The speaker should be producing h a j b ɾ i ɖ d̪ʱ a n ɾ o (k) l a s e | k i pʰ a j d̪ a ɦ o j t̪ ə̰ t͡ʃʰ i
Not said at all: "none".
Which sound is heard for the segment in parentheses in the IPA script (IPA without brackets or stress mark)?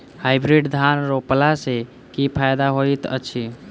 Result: p